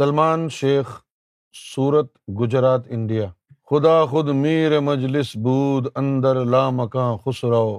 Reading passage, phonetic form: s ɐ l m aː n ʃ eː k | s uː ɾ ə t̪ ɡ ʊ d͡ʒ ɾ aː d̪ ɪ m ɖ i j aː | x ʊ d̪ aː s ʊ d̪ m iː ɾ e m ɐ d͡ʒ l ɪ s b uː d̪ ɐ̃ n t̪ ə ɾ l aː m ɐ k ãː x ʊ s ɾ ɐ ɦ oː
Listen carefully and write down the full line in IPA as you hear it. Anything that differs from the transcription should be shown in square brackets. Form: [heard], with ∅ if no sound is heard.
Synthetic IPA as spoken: s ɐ l m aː n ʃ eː [x] | s uː ɾ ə t̪ ɡ ʊ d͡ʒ ɾ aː [t̪] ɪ [ɳ] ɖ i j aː | x ʊ d̪ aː [x] ʊ d̪ m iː ɾ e m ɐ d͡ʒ l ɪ s b uː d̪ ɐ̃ n [d̪] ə ɾ l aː m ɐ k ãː x ʊ s ɾ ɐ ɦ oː